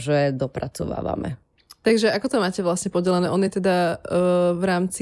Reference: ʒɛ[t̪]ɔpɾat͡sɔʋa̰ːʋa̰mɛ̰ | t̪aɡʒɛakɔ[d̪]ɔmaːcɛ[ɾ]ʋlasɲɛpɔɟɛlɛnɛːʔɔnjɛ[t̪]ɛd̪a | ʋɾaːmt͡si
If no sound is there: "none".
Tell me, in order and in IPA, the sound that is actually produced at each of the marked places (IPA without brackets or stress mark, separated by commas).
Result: d̪, t̪, none, t̪